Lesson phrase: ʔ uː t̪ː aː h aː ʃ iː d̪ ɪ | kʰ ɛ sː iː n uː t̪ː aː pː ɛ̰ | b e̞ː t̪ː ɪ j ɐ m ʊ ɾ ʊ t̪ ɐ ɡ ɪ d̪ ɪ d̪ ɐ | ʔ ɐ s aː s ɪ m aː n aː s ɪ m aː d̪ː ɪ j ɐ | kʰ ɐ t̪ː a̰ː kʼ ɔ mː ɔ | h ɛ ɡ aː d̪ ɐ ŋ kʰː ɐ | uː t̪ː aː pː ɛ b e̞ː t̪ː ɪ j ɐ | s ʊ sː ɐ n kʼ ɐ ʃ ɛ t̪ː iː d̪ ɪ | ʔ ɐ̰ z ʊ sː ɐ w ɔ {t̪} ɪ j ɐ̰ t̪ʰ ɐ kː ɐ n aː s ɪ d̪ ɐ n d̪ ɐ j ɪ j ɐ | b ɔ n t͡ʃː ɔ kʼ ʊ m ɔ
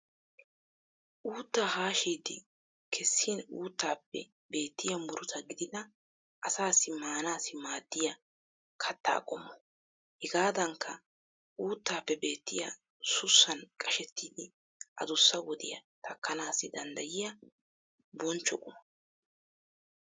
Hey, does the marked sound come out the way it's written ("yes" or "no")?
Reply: no